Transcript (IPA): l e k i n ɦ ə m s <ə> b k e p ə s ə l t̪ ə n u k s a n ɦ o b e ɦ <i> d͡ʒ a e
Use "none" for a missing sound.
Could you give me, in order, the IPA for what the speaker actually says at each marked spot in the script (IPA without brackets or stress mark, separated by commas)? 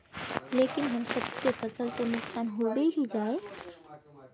ə, i